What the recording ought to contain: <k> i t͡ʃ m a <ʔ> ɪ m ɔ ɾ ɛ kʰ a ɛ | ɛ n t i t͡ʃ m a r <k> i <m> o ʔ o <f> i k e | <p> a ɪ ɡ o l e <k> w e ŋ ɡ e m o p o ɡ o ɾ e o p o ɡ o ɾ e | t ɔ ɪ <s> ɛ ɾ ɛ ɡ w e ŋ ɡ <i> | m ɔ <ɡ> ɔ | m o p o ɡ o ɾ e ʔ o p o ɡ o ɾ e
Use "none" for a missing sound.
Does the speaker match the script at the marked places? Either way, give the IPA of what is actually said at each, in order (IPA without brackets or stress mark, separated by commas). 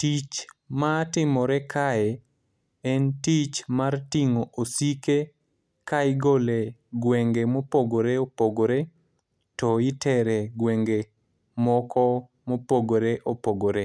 t, t, t, ŋ, s, k, ɡ, t, e, k